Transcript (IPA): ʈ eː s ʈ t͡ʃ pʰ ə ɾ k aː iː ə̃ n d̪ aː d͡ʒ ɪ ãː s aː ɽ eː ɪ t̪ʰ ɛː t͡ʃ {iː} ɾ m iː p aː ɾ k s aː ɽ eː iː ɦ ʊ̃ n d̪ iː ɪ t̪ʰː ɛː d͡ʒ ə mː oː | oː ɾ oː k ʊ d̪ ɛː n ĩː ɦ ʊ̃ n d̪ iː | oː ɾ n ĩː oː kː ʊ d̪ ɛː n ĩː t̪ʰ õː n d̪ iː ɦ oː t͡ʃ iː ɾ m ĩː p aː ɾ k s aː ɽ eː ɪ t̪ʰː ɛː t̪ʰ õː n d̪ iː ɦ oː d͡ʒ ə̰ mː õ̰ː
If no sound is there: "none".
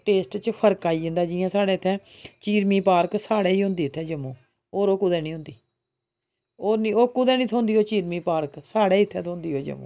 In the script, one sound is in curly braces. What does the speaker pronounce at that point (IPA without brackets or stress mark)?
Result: iː